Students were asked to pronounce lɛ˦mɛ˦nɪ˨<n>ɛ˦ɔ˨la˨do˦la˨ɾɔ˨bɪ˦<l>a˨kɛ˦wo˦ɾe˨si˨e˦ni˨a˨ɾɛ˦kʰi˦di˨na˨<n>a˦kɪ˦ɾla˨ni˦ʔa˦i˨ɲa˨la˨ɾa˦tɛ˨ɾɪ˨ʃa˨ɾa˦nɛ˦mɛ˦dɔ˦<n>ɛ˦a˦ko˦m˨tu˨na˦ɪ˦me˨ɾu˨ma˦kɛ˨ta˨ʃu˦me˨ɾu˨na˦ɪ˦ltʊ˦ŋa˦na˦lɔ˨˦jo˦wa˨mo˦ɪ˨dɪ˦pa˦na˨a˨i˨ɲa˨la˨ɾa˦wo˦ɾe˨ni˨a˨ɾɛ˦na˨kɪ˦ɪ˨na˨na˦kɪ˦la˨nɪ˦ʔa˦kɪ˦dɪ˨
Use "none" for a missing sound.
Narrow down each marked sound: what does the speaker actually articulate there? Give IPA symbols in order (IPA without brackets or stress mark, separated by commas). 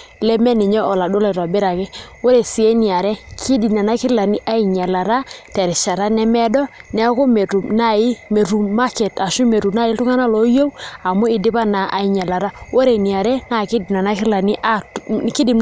ɲ, ɾ, n, n